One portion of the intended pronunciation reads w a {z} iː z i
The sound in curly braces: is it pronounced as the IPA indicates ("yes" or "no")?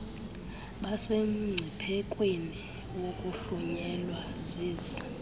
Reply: yes